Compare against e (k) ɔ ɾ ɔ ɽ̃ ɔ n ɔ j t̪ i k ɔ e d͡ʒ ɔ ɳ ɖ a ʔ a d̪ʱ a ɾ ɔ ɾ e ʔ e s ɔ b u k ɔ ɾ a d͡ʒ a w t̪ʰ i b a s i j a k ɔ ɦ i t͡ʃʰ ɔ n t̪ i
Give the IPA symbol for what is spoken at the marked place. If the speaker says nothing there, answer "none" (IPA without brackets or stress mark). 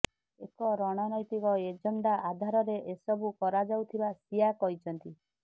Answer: k